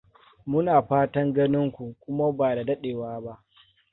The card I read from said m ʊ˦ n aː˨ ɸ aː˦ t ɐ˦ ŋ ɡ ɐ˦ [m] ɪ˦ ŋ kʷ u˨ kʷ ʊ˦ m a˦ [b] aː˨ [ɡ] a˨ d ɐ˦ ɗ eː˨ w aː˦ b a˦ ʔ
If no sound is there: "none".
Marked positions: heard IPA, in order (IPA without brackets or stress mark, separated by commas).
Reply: n, b, d